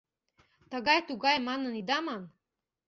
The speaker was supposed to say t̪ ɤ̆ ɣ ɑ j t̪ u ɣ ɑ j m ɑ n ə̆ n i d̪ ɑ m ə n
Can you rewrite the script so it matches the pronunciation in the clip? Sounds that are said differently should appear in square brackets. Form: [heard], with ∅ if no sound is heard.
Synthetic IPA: t̪ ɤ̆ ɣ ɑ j t̪ u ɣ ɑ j m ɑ n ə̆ n i d̪ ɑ m [ɑ] n